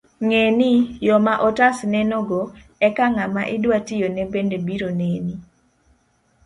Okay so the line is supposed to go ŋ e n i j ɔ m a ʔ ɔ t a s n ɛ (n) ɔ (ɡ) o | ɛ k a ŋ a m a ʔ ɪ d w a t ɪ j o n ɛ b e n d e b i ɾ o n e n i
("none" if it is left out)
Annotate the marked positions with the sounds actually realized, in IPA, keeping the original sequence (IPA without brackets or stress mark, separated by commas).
n, ɡ